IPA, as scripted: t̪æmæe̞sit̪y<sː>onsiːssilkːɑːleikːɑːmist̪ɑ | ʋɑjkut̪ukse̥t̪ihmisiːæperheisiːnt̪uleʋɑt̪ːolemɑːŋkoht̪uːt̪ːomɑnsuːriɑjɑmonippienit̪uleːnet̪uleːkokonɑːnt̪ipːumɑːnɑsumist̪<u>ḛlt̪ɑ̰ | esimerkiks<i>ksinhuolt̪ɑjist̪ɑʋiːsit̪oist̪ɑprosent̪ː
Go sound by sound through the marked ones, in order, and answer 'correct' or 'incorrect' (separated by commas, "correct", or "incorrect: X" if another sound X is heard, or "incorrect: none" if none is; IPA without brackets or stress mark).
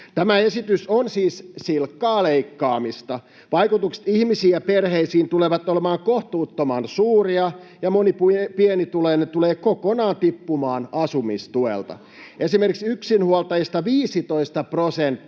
incorrect: s, correct, incorrect: y